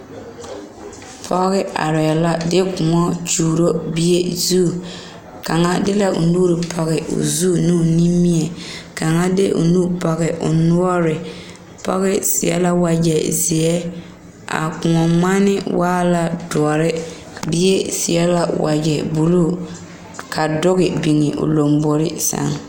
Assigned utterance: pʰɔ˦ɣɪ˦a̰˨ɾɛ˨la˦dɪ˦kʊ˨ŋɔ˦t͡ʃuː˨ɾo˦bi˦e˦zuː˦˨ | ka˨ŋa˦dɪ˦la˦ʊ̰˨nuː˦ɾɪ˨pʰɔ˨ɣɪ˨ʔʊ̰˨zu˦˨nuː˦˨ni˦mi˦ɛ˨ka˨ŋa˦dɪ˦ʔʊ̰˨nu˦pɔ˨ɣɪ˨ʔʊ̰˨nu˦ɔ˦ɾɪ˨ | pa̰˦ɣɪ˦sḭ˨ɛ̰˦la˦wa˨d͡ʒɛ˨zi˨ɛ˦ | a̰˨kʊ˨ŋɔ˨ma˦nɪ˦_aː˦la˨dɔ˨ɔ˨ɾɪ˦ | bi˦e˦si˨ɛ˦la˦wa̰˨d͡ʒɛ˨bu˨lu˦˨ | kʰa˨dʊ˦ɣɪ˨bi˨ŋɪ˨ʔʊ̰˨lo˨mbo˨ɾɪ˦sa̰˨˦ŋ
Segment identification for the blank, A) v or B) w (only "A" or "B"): B